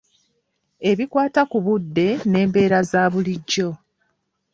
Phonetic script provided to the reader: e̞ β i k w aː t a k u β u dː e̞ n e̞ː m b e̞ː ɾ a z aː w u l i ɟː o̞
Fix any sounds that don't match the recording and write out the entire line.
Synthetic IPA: e̞ β i k w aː t a k u β u dː e̞ n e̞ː m b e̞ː ɾ a z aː β u l i ɟː o̞